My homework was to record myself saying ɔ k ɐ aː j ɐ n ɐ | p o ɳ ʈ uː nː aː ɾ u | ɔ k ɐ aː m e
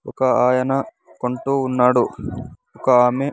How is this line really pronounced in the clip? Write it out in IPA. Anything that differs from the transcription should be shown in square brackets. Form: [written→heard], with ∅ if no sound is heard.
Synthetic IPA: ɔ k ɐ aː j ɐ n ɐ | [p→k] o ɳ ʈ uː nː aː [ɾ→ɽ] u | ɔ k ɐ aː m e